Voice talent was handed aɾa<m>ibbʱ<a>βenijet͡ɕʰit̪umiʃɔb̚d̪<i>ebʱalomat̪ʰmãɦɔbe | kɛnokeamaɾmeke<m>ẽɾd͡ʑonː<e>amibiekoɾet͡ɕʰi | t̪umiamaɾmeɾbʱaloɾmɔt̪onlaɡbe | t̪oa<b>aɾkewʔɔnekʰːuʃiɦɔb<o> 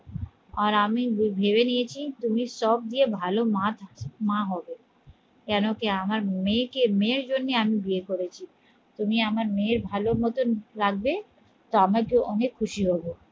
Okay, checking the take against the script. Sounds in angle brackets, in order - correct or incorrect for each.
correct, incorrect, correct, correct, correct, incorrect, correct

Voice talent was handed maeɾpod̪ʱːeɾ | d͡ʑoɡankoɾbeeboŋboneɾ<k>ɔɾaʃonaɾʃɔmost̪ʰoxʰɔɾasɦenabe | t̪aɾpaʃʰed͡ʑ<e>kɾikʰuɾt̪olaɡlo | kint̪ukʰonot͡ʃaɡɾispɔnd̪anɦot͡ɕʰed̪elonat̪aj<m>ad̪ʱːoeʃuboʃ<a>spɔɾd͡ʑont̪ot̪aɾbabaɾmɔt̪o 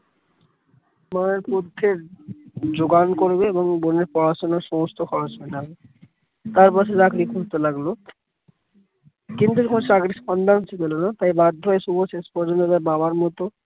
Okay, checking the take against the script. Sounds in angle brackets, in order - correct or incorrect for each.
incorrect, incorrect, incorrect, incorrect

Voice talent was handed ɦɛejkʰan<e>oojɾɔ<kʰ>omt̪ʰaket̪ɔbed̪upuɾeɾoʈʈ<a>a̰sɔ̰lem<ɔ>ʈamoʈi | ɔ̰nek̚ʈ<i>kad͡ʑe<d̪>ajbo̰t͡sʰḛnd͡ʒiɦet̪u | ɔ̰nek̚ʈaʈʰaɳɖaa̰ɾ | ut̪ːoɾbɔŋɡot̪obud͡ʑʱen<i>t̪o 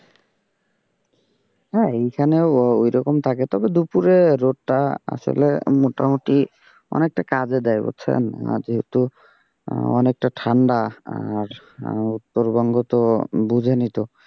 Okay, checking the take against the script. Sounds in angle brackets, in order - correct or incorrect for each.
correct, incorrect, correct, incorrect, incorrect, correct, correct

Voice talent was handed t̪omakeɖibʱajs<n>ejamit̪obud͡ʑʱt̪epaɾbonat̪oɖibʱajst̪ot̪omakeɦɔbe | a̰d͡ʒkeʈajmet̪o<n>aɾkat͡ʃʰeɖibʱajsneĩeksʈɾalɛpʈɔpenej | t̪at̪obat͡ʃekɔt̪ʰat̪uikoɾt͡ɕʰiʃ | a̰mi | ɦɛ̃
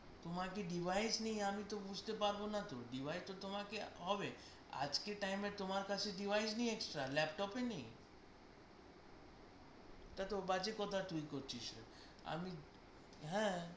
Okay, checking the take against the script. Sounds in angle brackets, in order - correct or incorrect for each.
correct, incorrect

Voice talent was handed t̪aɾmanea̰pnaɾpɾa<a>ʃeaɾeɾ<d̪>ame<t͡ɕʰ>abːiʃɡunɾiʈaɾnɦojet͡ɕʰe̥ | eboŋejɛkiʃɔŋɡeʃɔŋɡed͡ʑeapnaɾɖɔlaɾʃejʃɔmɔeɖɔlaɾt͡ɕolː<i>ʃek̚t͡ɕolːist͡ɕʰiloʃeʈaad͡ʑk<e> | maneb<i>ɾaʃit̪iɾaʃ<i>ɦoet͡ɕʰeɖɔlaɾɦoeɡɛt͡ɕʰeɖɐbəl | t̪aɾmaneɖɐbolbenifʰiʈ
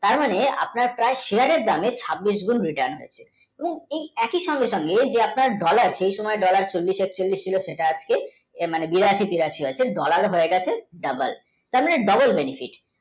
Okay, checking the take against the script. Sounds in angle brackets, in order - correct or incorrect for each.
incorrect, correct, correct, correct, correct, correct, correct

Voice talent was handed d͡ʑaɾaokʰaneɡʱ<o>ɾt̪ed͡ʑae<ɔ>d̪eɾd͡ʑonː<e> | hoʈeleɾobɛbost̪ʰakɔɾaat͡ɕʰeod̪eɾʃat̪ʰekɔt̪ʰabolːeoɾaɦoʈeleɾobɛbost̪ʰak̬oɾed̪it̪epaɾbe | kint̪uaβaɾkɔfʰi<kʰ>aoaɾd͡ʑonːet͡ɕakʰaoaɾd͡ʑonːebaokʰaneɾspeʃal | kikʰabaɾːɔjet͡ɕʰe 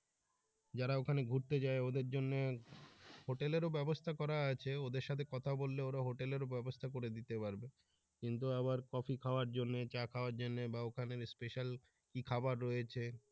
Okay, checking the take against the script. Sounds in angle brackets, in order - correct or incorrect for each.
incorrect, incorrect, correct, correct

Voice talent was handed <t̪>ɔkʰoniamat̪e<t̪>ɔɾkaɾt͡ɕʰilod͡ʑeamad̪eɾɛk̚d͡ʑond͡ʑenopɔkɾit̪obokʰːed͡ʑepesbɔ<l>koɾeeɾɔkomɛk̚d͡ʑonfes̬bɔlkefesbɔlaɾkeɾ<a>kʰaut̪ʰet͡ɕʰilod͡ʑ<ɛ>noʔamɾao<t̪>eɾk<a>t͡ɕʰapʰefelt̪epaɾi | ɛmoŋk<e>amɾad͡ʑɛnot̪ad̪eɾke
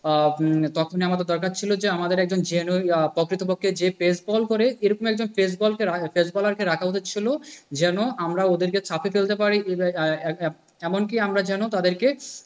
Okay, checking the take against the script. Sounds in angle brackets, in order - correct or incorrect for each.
correct, incorrect, correct, correct, correct, incorrect, incorrect, incorrect

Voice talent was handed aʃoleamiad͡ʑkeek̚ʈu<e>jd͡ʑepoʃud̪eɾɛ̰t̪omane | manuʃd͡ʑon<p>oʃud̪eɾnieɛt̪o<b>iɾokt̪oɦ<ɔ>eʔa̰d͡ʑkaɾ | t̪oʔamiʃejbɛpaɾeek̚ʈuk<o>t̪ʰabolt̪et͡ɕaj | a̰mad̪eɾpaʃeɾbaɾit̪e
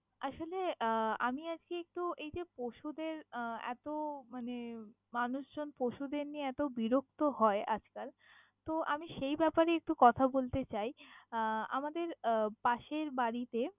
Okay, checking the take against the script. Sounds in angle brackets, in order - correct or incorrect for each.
correct, correct, correct, correct, incorrect

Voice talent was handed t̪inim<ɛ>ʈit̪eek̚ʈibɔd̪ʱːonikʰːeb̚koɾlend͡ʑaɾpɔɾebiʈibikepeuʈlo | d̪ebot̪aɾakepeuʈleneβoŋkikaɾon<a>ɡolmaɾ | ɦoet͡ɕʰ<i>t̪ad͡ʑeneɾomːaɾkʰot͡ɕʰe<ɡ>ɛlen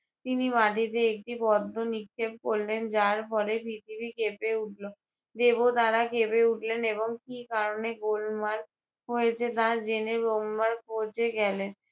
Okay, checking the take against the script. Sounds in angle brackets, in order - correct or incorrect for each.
incorrect, incorrect, incorrect, correct

